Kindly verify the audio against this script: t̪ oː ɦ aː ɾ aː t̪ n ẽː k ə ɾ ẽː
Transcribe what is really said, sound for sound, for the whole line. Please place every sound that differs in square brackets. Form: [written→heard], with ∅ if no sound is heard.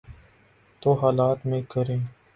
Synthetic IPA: t̪ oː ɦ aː [ɾ→l] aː t̪ [n→m] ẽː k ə ɾ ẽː